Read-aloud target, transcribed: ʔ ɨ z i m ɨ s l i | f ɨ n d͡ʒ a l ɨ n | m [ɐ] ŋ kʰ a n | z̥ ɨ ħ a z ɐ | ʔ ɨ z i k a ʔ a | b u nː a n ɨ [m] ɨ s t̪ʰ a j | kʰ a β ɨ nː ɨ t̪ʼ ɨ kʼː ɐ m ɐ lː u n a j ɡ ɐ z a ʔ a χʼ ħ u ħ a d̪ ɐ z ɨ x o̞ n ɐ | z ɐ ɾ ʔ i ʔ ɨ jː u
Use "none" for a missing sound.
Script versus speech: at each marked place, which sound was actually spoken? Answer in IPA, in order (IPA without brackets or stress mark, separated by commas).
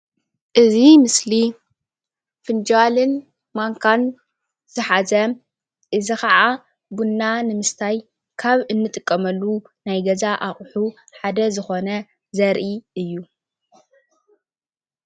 a, m